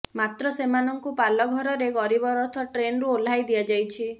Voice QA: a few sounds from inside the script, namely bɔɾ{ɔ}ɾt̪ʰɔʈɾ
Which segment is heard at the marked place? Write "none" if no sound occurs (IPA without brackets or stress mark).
ɔ